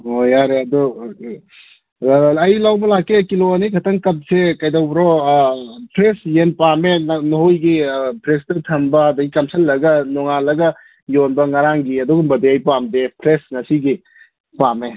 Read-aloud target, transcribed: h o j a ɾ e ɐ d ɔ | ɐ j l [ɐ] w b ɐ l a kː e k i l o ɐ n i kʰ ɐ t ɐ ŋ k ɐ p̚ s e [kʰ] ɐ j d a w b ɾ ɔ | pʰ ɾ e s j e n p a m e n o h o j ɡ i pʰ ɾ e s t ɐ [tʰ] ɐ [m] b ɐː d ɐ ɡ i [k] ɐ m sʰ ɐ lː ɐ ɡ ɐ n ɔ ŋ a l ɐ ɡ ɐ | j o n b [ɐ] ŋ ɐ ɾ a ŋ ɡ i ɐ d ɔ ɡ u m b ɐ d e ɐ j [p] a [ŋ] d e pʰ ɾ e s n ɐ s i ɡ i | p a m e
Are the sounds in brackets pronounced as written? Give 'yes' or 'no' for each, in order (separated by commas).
no, no, yes, yes, yes, yes, yes, no